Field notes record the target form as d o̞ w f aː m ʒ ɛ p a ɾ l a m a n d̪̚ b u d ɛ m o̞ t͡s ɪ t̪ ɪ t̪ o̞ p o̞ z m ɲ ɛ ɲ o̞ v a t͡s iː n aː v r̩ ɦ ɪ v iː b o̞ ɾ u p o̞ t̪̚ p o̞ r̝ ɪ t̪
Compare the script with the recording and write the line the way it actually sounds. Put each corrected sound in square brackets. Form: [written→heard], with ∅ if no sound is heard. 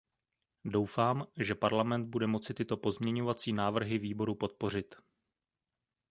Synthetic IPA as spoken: d o̞ w f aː m ʒ ɛ p a ɾ l a m [a→ɛ] n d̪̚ b u d ɛ m o̞ t͡s ɪ t̪ ɪ t̪ o̞ p o̞ z m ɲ ɛ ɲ o̞ v a t͡s iː n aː v r̩ ɦ ɪ v iː b o̞ ɾ u p o̞ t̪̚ p o̞ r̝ ɪ t̪